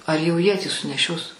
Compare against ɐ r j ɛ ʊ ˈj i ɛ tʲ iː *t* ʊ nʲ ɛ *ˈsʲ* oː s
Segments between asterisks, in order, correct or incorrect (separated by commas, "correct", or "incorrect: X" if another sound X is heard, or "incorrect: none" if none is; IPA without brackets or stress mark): incorrect: s, incorrect: ʃʲ